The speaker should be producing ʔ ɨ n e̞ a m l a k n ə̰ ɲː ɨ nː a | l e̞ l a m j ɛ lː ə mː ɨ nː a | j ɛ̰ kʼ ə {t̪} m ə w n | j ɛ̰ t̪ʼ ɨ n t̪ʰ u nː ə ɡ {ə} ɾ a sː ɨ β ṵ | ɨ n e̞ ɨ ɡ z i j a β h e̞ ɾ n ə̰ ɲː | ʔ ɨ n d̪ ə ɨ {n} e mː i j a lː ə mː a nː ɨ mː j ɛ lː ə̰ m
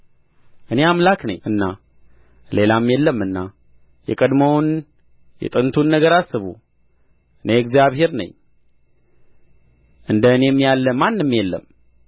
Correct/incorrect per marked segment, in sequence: incorrect, correct, correct

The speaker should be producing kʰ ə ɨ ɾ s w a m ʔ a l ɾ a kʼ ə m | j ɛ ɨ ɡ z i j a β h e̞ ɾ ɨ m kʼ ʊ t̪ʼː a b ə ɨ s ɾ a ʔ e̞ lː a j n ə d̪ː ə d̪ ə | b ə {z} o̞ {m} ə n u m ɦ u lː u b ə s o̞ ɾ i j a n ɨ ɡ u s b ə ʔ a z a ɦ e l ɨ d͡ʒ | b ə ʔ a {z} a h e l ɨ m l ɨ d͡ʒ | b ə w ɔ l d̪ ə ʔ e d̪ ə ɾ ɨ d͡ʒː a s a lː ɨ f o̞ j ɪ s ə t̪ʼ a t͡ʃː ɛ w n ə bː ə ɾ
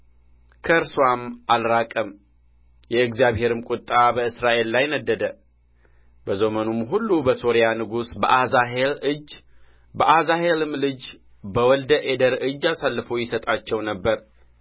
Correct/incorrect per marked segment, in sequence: correct, correct, correct

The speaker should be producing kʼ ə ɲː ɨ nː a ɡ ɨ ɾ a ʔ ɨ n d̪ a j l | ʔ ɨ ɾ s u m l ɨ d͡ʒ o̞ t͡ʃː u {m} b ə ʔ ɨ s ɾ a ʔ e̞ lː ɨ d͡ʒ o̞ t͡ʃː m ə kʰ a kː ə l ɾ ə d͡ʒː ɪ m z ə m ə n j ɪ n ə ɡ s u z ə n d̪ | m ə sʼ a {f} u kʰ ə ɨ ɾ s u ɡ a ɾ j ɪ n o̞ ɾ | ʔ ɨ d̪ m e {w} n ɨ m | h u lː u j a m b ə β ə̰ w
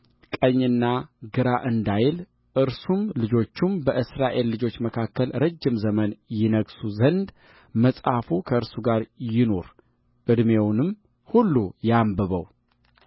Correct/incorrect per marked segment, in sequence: correct, correct, correct

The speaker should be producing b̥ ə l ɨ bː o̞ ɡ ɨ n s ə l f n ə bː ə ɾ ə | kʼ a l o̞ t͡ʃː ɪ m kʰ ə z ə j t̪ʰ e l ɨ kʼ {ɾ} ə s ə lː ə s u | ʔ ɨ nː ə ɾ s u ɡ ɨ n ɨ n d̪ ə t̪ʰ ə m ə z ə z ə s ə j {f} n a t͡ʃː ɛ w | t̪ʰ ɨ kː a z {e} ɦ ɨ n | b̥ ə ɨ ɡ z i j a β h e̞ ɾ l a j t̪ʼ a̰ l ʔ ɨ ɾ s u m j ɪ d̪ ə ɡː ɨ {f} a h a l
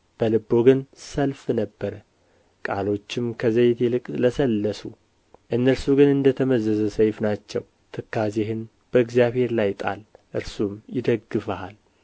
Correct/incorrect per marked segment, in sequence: incorrect, correct, correct, correct

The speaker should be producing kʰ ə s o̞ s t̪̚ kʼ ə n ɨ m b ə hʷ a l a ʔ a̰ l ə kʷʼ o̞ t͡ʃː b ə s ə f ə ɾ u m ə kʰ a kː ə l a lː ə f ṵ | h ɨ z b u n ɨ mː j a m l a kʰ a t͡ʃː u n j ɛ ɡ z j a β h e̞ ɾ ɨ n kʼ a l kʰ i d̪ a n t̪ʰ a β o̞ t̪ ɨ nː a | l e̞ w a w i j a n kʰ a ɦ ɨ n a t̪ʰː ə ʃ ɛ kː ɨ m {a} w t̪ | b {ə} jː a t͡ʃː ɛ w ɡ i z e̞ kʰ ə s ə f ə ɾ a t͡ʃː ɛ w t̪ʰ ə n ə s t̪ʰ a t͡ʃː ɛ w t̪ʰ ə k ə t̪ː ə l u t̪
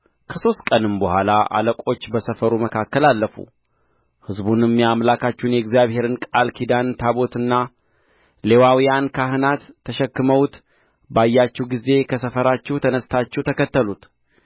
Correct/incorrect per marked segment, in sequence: incorrect, incorrect

